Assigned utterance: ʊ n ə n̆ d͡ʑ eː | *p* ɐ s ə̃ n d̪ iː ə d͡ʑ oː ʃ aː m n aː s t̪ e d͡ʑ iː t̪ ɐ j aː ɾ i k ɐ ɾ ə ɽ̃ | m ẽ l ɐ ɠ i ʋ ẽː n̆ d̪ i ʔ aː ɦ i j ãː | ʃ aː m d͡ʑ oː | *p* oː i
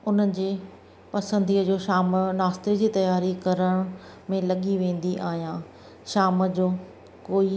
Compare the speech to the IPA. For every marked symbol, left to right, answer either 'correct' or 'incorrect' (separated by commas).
correct, incorrect